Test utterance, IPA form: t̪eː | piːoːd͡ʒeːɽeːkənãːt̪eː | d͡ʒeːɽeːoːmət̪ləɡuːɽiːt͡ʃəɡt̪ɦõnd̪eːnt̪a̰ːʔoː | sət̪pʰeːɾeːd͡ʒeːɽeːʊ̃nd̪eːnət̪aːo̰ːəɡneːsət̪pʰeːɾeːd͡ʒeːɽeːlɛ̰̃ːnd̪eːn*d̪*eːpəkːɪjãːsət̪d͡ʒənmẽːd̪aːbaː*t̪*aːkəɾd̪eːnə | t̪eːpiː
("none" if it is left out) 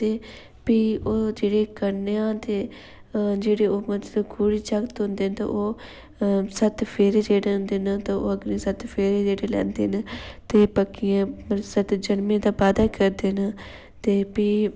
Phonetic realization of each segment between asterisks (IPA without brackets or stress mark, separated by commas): t̪, d̪